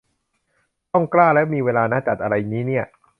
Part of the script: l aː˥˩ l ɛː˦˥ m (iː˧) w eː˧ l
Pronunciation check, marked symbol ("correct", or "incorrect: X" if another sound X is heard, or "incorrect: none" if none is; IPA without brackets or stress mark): correct